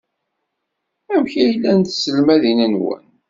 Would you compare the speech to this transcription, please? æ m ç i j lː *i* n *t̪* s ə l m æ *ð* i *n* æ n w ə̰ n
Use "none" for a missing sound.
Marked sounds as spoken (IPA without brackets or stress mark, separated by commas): æ, t̪, ð, n